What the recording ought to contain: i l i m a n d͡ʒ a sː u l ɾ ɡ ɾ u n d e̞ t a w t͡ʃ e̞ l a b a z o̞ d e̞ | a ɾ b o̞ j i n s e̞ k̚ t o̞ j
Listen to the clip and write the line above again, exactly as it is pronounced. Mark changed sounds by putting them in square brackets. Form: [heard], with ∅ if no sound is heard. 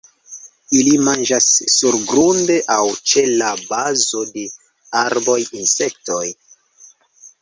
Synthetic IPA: i l i m a n d͡ʒ a sː u [∅] ɾ ɡ ɾ u n d e̞ [ʔ] a w t͡ʃ e̞ l a b a z o̞ d e̞ | a ɾ b o̞ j i n s e̞ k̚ t o̞ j